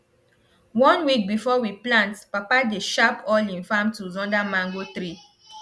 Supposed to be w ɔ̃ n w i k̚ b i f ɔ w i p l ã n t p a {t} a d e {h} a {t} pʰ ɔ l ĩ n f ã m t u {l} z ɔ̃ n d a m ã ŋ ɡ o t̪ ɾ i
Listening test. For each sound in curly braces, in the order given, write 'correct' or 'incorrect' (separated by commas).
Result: incorrect, incorrect, incorrect, incorrect